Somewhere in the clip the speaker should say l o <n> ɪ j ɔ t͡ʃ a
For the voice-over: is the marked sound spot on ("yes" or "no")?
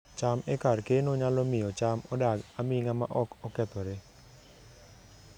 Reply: no